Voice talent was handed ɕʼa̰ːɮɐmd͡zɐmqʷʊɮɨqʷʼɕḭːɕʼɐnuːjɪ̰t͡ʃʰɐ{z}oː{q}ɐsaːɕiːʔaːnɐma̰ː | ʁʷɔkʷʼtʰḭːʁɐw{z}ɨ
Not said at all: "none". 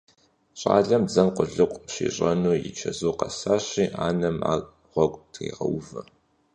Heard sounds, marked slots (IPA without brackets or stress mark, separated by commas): z, q, v